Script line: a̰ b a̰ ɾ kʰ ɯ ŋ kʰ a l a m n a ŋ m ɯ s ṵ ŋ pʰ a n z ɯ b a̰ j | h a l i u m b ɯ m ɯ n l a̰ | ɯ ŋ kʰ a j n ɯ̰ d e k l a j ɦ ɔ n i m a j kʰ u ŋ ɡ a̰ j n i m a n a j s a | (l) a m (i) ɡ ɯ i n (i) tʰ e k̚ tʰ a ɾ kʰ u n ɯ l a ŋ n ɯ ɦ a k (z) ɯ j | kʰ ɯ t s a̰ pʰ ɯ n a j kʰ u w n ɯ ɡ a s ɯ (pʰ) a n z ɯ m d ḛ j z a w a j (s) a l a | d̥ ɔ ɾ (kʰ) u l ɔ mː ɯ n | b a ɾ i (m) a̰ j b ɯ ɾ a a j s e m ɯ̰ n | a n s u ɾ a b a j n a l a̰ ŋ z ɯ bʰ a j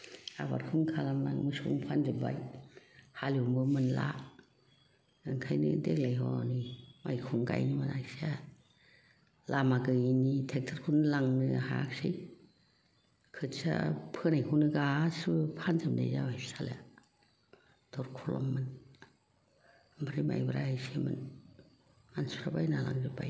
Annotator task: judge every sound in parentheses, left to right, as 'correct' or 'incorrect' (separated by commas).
correct, incorrect, correct, incorrect, correct, correct, correct, correct